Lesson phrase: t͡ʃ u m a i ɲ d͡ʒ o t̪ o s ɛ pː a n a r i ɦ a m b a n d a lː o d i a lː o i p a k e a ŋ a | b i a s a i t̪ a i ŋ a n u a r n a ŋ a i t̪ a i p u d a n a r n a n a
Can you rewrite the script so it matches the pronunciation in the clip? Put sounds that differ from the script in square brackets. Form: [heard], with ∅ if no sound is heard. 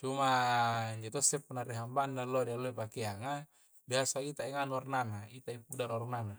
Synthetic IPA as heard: t͡ʃ u m a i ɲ d͡ʒ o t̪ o s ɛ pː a n a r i ɦ a m b a n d a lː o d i a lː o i p a k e a ŋ a | b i a s a i t̪ a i ŋ a n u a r n a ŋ a i t̪ a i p u d a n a r n a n a